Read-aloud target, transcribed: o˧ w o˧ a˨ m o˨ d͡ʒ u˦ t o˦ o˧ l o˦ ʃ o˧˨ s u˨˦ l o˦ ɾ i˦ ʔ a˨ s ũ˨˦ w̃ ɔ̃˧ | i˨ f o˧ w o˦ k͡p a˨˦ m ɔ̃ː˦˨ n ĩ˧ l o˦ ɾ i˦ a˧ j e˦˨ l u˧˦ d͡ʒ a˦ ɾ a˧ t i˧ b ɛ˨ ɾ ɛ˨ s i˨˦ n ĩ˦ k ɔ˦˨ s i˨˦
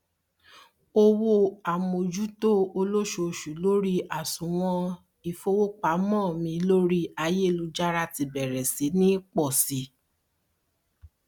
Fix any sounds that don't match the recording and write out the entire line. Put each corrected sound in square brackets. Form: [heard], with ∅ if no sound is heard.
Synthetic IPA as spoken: o˧ w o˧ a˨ m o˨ d͡ʒ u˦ t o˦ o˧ l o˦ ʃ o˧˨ [ʃ] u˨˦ l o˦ ɾ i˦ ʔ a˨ s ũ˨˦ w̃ ɔ̃˧ | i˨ f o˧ w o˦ k͡p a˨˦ m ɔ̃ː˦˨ [m] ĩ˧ l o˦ ɾ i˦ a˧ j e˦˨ l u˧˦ d͡ʒ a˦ ɾ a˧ t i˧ b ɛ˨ ɾ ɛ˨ s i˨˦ n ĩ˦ [k͡p] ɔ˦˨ s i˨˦